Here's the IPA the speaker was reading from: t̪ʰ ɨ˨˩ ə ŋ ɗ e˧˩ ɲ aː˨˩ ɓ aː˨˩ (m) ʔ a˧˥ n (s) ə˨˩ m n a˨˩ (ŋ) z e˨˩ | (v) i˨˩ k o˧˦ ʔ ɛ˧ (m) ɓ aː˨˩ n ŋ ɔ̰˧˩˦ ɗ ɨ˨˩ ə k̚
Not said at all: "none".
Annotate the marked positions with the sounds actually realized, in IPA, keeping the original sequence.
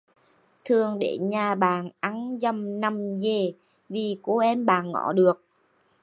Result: n, z, m, v, m

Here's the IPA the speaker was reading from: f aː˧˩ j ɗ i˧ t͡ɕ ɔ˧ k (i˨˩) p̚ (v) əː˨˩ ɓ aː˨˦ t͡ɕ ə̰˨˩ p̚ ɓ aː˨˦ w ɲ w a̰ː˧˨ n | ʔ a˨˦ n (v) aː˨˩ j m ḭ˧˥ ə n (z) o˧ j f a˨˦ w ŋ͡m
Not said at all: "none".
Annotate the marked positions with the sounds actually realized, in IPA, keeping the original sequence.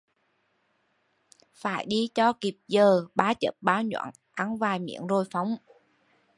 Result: i˨˩, z, v, z

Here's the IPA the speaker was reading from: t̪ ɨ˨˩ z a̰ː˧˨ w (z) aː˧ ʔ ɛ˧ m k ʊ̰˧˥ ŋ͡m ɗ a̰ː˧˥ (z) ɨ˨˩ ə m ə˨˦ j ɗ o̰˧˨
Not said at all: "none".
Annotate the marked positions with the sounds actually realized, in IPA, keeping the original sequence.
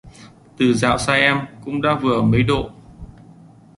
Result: s, v

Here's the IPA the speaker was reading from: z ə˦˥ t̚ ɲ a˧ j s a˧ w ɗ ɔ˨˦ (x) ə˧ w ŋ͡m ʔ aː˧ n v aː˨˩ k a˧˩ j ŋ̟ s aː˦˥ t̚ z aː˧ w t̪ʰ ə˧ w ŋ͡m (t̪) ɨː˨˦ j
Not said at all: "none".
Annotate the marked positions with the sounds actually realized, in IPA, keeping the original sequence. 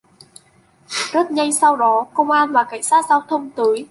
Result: k, t̪

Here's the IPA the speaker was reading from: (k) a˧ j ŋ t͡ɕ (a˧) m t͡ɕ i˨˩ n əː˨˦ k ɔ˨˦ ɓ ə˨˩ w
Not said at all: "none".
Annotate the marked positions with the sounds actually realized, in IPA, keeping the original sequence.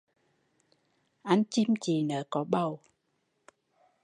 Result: ʔ, i˧

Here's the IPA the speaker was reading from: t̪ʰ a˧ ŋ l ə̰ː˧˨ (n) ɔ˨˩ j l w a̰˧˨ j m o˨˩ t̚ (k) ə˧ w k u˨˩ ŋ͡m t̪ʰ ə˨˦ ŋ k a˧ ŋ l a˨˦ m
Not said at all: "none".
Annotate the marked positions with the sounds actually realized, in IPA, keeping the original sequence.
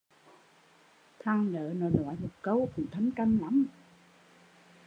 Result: n, k

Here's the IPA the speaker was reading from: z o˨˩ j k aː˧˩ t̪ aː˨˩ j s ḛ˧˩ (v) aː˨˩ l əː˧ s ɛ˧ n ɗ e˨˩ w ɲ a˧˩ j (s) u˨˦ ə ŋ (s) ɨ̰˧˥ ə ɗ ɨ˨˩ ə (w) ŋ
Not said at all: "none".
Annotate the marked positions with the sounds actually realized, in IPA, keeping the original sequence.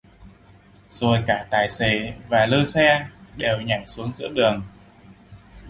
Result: v, s, z, none

